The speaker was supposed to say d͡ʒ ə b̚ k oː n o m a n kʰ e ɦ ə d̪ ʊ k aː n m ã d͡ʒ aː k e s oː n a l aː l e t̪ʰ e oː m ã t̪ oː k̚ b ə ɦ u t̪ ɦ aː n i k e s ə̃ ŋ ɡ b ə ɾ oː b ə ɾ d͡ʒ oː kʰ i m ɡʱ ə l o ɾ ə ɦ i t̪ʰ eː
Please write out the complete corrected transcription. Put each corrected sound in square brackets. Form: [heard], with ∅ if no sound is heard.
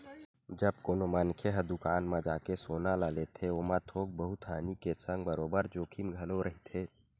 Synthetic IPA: d͡ʒ ə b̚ k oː n o m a n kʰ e ɦ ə d̪ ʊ k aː n m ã d͡ʒ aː k e s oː n a l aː l e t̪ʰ e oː m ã [t̪ʰ] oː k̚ b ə ɦ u t̪ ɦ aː n i k e s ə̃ ŋ ɡ b ə ɾ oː b ə ɾ d͡ʒ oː kʰ i m ɡʱ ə l o ɾ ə ɦ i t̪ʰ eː